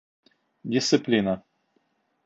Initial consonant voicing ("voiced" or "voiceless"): voiced